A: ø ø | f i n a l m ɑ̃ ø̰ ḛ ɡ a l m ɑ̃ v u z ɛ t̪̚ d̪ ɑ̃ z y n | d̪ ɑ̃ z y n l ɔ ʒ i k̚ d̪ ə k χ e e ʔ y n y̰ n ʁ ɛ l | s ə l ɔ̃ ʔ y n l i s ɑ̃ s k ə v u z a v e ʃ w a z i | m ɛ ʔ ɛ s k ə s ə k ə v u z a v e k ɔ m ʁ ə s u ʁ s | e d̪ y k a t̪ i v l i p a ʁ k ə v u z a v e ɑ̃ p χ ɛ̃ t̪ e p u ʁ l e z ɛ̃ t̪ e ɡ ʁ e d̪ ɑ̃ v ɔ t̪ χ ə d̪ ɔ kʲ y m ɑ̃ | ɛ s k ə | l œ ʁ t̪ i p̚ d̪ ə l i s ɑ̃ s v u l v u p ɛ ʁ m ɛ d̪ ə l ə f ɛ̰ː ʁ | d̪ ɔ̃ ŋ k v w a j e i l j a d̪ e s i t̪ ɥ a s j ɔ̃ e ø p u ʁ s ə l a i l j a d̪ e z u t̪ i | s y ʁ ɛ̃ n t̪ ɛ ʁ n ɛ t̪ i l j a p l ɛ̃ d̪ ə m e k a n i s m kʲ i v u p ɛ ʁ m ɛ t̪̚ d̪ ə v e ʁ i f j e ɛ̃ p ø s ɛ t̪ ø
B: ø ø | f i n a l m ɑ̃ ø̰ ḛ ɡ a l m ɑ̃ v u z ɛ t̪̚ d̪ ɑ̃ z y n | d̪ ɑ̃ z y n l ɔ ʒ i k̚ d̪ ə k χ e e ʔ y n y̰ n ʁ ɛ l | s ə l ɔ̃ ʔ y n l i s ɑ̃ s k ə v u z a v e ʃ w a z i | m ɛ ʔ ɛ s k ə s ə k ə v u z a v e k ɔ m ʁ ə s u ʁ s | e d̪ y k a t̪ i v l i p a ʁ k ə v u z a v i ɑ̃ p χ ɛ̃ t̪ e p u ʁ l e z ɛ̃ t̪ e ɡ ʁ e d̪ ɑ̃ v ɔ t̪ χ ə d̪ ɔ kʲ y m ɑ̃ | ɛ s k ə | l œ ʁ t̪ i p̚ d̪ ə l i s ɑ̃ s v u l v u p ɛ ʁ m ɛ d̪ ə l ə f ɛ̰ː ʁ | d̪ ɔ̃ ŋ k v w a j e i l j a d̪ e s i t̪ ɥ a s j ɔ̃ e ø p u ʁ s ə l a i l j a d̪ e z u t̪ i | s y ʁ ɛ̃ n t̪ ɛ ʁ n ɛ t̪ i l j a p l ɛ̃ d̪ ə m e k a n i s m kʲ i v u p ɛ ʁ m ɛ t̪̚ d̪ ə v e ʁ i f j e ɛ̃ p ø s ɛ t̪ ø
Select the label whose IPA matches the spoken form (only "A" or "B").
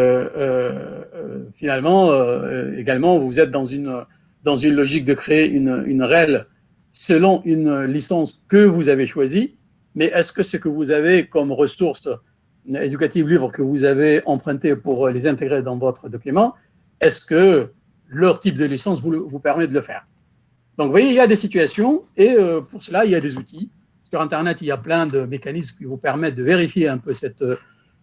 A